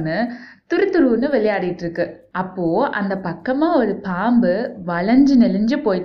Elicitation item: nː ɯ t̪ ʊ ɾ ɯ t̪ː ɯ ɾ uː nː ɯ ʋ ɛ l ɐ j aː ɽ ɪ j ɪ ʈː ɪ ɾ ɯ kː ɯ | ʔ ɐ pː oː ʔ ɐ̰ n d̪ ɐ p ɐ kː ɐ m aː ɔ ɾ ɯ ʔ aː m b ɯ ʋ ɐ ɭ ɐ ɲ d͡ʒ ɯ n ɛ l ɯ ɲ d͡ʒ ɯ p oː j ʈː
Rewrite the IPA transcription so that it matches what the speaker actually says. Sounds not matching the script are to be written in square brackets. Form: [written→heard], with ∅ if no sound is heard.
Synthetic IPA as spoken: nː ɯ t̪ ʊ ɾ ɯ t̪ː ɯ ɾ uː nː ɯ ʋ ɛ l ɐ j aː ɽ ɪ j ɪ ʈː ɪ ɾ ɯ kː ɯ | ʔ ɐ pː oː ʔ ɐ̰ n d̪ ɐ p ɐ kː ɐ m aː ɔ ɾ ɯ [ʔ→p] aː m b ɯ ʋ ɐ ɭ ɐ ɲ d͡ʒ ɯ n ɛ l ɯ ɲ d͡ʒ ɯ p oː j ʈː